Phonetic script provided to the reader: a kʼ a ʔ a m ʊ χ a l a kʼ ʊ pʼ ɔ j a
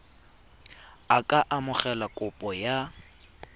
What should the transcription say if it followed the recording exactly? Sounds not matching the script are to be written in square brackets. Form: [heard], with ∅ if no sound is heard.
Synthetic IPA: a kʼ a ʔ a m ʊ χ [ɛ] l a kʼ ʊ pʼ ɔ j a